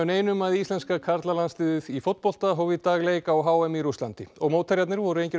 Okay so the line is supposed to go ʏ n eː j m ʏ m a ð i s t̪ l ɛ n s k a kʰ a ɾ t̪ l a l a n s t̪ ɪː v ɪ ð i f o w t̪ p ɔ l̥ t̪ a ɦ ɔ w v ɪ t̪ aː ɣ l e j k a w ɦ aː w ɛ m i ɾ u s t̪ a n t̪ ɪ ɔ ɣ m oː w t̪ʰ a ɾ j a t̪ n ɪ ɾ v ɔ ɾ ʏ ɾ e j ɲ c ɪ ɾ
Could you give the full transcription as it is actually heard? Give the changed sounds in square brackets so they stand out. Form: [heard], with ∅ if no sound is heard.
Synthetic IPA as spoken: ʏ n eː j [n] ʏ m a ð i s t̪ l ɛ n s k a kʰ a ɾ t̪ l a l a n s t̪ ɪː [ð] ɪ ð i f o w t̪ p ɔ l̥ t̪ a ɦ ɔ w v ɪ t̪ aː ɣ l e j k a w ɦ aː w ɛ m i ɾ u s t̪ a n t̪ ɪ ɔ ɣ m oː w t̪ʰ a ɾ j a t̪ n ɪ ɾ v ɔ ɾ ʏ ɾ e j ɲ c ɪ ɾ